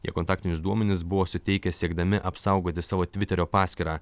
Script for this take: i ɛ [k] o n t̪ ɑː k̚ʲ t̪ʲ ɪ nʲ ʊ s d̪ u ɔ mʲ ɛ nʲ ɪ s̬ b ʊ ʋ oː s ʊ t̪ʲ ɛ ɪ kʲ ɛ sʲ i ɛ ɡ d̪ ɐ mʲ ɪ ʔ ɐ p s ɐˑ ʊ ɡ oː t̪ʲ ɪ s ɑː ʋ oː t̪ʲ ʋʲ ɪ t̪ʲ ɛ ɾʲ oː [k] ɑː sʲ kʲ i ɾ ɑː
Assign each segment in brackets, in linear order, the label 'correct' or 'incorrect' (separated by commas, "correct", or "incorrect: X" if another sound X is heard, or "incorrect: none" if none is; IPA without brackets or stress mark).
correct, incorrect: p